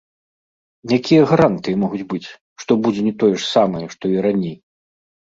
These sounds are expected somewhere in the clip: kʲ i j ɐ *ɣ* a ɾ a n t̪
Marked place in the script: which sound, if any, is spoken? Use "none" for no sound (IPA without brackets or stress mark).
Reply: ɣ